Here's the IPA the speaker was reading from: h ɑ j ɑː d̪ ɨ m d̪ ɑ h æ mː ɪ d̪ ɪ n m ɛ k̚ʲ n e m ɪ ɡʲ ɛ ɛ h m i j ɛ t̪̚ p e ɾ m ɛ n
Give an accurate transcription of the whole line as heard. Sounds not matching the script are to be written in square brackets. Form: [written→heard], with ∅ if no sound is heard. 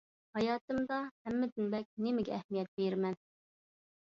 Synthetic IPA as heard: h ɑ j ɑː [d̪→t̪] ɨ m d̪ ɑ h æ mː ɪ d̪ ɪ n [m→b] ɛ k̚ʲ n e m ɪ ɡʲ ɛ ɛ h m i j ɛ t̪̚ [p→b] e ɾ m ɛ n